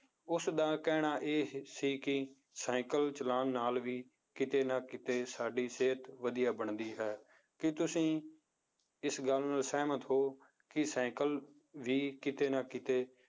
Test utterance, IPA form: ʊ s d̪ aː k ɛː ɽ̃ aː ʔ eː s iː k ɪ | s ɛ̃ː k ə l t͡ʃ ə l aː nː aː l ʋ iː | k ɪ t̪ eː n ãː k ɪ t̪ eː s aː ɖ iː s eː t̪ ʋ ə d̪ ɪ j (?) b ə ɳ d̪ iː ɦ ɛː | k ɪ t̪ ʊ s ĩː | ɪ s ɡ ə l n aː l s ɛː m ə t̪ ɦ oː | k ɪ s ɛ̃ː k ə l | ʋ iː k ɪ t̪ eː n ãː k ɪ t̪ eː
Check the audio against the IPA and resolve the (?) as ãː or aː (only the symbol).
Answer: aː